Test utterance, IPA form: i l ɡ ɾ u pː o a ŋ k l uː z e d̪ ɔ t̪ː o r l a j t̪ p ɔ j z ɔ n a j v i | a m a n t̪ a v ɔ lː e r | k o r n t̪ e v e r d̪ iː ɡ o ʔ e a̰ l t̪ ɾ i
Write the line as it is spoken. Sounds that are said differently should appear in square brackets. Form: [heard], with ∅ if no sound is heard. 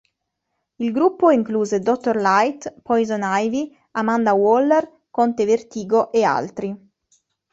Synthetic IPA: i l ɡ ɾ u pː o [i] ŋ k l uː z e d̪ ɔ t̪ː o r l a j t̪ p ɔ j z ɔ n a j v i | a m a n [d̪] a [w] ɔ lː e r | k o [∅] n t̪ e v e r [t̪] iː ɡ o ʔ e a̰ l t̪ ɾ i